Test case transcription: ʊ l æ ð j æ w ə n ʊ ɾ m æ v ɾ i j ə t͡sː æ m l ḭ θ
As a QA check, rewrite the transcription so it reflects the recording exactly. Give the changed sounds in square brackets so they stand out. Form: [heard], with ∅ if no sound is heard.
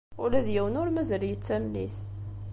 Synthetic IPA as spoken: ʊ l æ ð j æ w ə n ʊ ɾ m æ [z] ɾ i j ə t͡sː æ m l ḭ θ